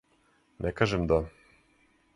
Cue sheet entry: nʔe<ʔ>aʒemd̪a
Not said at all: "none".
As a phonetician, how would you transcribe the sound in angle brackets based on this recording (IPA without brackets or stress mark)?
k